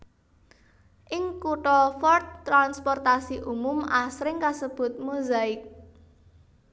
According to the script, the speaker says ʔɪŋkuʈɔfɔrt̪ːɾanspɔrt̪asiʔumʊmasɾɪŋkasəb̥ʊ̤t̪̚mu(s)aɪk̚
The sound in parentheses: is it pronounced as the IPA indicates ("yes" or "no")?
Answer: no